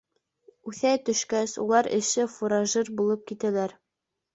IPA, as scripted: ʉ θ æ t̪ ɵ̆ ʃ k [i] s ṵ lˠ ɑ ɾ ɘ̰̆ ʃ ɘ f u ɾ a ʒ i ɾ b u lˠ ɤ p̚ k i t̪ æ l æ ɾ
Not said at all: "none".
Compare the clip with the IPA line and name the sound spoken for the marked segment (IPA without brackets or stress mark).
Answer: æ